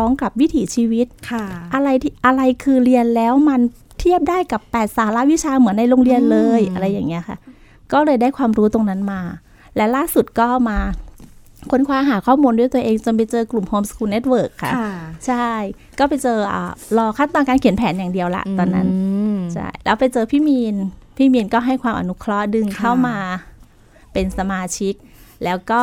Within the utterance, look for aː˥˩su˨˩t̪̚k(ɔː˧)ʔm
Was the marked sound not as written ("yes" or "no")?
yes